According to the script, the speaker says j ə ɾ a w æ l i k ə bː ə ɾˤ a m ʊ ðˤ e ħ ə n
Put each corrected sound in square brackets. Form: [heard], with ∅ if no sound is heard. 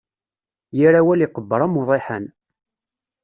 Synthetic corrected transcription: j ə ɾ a w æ l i [q] ə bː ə ɾˤ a m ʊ ðˤ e ħ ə n